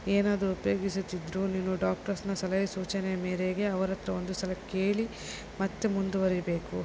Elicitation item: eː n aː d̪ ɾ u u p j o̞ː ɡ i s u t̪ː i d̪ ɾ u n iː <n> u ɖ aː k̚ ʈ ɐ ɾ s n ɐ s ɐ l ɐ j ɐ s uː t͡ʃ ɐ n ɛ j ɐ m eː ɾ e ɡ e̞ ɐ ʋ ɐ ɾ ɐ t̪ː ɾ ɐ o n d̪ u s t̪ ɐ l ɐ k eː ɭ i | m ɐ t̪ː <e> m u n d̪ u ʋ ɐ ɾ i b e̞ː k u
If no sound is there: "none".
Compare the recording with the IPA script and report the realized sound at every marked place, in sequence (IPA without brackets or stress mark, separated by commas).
n, e